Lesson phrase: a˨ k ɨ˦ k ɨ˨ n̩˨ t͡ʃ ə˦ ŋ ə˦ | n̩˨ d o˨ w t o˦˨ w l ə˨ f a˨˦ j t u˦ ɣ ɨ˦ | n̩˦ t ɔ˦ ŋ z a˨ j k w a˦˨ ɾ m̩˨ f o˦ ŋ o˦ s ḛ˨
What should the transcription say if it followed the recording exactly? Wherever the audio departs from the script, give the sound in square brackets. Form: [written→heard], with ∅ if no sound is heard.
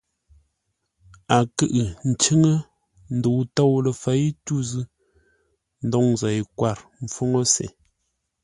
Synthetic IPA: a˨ k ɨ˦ [k→ʔ] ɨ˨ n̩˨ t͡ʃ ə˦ ŋ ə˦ | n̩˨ d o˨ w t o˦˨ w l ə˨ f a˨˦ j t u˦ [ɣ→z] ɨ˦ | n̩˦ [t→d] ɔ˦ ŋ z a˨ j k w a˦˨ ɾ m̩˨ f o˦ ŋ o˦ s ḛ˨